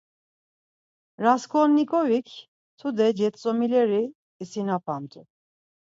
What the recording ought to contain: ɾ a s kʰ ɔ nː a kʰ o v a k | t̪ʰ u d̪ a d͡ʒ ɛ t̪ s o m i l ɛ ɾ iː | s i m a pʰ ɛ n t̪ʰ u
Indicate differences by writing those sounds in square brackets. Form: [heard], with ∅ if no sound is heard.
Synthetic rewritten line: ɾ a s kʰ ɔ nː [i] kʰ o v [i] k | t̪ʰ u d̪ [ɛ] d͡ʒ ɛ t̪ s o m i l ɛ ɾ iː | s i [n] a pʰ [a] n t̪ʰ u